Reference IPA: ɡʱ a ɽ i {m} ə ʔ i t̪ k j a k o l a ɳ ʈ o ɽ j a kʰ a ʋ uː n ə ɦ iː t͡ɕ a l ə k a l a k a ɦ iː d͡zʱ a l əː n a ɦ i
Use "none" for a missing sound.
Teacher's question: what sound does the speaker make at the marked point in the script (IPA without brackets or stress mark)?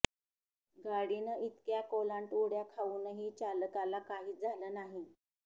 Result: n